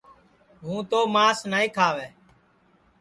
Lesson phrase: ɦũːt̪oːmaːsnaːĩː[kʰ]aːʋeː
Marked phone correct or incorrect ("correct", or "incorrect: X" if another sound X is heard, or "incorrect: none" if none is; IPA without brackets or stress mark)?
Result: correct